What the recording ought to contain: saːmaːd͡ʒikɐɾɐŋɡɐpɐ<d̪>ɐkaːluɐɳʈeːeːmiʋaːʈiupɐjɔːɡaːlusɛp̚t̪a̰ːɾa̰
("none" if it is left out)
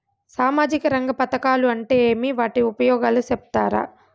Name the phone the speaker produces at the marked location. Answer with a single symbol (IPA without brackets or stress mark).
t̪